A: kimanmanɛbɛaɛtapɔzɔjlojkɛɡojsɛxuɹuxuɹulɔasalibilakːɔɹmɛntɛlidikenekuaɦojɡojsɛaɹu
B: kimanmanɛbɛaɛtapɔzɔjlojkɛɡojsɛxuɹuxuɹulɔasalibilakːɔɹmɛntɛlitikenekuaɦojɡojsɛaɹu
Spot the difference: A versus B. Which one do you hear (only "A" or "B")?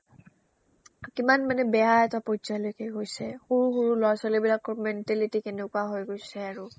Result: B